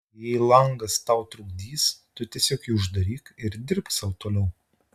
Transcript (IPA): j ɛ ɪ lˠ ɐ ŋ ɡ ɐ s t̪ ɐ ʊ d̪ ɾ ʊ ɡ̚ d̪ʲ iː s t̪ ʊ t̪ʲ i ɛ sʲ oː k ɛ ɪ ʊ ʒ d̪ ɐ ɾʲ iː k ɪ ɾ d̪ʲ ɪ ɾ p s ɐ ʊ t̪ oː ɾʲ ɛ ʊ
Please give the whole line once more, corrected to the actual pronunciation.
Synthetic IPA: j ɛ ɪ lˠ ɐ ŋ ɡ ɐ s t̪ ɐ ʊ t̪ ɾ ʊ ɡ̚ d̪ʲ iː s t̪ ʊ t̪ʲ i ɛ sʲ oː k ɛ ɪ ʊ ʒ d̪ ɐ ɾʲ iː k ɪ ɾ d̪ʲ ɪ ɾ p s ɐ ʊ t̪ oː lʲ ɛ ʊ